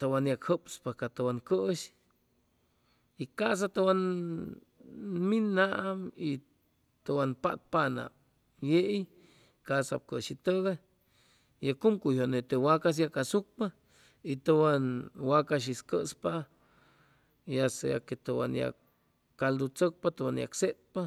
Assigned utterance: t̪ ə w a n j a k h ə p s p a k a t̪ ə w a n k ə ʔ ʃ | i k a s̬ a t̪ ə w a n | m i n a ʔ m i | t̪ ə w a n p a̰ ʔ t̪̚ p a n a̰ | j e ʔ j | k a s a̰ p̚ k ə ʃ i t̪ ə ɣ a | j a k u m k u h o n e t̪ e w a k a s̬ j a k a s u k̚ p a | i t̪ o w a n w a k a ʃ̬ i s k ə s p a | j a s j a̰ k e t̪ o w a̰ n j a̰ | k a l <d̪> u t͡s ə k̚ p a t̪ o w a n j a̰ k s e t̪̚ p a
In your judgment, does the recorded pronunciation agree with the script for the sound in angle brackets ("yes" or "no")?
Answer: yes